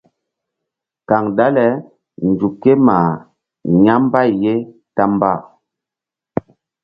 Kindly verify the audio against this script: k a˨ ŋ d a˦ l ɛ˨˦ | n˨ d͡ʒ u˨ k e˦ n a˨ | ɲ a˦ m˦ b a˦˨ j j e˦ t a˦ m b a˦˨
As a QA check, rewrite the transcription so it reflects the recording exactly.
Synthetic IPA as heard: k a˨ ŋ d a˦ l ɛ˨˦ | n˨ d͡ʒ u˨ k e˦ m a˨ | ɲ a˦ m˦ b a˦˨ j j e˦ t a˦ m b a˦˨